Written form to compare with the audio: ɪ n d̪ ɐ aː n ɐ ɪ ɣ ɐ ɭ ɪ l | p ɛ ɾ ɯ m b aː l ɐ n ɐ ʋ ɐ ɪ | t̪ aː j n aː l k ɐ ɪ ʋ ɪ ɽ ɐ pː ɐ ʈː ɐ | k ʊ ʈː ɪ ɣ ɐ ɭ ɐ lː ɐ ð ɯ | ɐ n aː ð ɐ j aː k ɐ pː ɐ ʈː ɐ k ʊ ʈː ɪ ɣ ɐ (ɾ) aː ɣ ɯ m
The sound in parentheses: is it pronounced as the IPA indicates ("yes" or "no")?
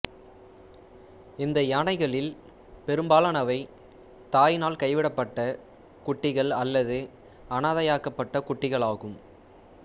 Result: no